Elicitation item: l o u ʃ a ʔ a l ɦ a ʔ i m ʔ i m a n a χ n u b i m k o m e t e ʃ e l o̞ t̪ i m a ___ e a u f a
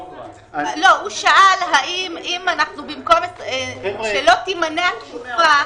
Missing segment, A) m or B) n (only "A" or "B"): B